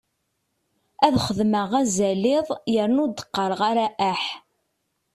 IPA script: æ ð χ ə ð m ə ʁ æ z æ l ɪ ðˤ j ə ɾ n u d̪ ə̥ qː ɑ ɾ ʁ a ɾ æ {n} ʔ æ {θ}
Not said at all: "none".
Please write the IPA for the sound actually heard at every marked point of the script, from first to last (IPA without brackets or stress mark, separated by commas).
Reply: none, ħ